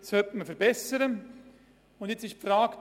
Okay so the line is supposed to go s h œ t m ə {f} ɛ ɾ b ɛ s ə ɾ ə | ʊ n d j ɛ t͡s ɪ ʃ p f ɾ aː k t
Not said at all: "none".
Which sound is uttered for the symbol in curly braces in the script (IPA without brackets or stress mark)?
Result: f